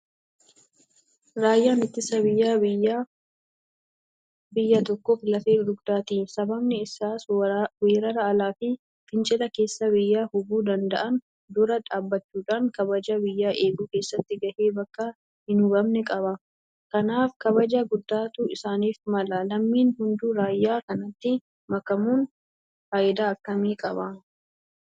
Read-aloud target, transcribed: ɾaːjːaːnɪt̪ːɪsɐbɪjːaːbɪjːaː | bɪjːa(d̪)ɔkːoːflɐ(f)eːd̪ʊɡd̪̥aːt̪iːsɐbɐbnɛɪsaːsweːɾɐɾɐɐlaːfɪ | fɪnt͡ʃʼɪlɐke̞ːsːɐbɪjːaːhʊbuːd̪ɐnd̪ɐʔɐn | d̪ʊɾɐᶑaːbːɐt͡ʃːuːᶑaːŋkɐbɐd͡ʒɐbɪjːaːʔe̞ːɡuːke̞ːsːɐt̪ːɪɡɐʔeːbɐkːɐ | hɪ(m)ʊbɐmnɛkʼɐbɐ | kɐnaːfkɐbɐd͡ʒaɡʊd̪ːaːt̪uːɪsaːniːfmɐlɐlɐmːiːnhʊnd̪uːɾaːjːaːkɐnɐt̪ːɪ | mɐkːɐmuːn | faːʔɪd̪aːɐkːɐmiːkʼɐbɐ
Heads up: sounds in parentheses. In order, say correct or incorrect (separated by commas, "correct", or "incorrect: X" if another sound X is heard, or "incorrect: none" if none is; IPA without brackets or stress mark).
incorrect: t̪, correct, incorrect: n